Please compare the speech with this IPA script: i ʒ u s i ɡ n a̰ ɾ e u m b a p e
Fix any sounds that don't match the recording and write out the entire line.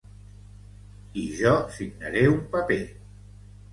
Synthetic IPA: i ʒ ɔ s i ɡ n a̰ ɾ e u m p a p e